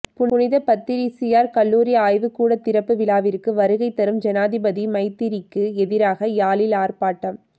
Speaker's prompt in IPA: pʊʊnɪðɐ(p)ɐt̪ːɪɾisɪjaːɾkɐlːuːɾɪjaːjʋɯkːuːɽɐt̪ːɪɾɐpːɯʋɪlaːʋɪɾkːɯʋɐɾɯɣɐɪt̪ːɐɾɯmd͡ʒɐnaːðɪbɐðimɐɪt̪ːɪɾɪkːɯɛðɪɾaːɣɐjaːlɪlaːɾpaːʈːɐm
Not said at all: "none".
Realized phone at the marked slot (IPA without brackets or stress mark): p